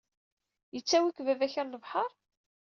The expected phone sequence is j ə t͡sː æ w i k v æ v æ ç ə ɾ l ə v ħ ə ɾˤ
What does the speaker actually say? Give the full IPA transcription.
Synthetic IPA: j ə t͡sː æ w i k v æ v æ ç ə ɾ l ə v ħ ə ɾˤ